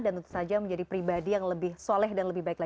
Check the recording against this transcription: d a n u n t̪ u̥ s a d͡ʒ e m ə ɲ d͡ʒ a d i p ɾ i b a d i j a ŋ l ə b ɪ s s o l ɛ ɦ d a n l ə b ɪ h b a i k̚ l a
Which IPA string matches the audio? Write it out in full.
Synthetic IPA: d a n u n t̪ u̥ s a d͡ʒ a m ə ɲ d͡ʒ a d i p ɾ i b a d i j a ŋ l ə b ɪ h s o l ɛ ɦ d a n l ə b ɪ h b a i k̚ l a